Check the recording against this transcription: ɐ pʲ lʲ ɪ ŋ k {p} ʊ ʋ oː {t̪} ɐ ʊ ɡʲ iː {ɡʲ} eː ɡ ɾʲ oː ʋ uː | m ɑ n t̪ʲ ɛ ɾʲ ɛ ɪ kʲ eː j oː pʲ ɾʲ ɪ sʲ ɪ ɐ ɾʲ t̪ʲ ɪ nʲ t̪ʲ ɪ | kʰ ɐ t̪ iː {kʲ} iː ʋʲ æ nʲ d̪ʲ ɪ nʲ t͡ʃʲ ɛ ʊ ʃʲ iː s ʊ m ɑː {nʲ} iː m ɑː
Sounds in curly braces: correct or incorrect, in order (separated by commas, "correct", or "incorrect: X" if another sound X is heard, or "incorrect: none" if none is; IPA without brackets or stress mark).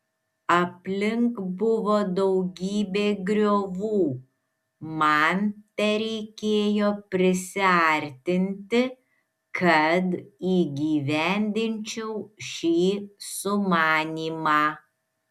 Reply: incorrect: b, incorrect: d̪, incorrect: bʲ, incorrect: ɡʲ, correct